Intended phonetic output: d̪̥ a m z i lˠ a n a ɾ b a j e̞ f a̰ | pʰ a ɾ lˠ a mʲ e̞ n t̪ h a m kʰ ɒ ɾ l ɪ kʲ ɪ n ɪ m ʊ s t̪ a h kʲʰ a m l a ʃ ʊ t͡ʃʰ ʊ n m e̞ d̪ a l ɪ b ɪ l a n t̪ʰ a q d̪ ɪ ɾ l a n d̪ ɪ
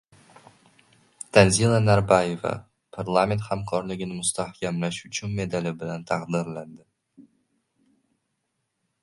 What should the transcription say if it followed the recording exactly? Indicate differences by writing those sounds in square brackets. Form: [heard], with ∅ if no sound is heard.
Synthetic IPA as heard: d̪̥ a [n] z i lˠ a n a ɾ b a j e̞ [v] a̰ | pʰ a ɾ lˠ a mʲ e̞ n t̪ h a m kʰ ɒ ɾ l ɪ [ɡʲ] ɪ n ɪ m ʊ s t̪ a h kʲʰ a m l a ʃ ʊ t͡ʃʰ ʊ n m e̞ d̪ a l ɪ b ɪ l a n t̪ʰ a q d̪ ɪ ɾ l a n d̪ ɪ